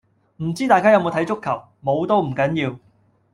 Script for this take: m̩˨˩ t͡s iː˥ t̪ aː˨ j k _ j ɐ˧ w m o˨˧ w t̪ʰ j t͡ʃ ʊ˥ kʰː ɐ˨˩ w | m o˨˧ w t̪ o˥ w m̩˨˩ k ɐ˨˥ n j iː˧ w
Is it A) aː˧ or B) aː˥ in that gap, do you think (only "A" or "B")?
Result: B